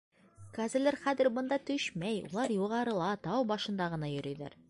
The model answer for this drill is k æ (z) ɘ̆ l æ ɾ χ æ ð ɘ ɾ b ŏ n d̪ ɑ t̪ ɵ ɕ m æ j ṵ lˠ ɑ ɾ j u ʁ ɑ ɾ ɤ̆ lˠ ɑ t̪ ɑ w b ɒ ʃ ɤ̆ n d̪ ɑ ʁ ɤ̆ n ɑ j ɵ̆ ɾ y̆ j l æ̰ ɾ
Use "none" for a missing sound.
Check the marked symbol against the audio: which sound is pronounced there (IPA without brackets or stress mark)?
z